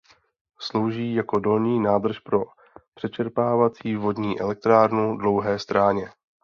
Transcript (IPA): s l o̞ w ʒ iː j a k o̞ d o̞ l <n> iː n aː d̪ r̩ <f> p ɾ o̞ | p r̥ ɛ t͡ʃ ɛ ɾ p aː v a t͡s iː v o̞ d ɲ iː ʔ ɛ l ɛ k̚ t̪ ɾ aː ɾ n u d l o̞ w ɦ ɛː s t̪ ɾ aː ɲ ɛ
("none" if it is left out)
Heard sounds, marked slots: ɲ, ʃ

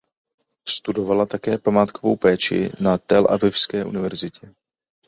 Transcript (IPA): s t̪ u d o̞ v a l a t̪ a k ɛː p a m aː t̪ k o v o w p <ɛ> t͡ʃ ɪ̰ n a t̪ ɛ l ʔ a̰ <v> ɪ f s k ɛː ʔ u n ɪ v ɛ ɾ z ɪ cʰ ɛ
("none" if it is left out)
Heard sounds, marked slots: ɛː, v

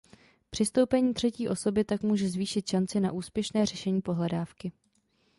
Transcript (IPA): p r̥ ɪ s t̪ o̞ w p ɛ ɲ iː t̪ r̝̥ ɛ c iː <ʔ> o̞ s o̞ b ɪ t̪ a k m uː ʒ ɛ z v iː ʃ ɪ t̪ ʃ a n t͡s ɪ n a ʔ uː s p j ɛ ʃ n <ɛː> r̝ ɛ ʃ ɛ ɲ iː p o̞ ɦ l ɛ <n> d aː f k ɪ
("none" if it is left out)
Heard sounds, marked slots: ʔ, ɛː, none

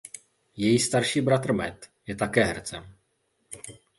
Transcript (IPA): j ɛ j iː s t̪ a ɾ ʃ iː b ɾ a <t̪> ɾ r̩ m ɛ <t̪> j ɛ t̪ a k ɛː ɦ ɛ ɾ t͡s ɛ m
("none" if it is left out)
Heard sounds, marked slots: t̪, t̪

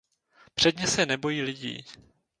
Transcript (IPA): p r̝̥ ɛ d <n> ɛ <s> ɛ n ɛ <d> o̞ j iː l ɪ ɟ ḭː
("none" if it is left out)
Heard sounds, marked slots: ɲ, s, b

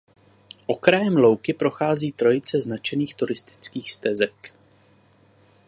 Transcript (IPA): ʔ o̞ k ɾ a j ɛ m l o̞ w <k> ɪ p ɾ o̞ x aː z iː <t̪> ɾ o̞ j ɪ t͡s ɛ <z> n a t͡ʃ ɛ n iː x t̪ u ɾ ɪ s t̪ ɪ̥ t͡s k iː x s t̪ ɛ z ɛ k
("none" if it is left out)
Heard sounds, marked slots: k, t̪, z

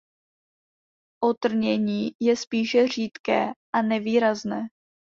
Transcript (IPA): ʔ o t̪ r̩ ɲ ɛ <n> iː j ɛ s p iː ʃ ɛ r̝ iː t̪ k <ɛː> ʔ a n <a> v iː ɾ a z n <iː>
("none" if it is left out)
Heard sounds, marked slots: ɲ, ɛː, ɛ, ɛː

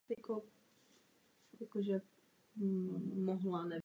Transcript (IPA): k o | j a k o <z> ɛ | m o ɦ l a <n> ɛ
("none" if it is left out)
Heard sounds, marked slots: ʒ, n

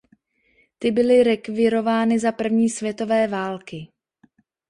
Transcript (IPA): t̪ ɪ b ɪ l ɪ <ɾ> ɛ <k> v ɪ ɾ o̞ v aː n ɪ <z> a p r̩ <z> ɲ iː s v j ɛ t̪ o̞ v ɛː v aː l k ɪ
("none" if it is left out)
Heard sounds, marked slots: ɾ, k, z, v

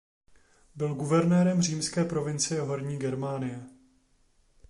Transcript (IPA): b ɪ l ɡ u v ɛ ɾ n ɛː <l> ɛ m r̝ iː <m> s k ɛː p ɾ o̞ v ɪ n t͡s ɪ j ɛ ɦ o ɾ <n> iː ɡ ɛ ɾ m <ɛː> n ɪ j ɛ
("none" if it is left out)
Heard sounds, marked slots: ɾ, m, ɲ, aː

